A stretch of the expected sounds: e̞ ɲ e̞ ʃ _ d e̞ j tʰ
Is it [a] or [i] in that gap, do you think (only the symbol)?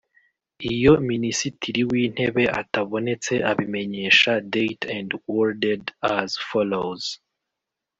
a